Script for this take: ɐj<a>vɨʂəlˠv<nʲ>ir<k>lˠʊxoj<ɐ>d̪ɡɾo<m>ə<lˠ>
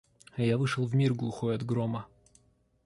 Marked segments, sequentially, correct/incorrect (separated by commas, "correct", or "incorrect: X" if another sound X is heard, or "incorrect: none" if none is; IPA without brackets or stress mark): correct, incorrect: mʲ, incorrect: ɡ, correct, correct, incorrect: none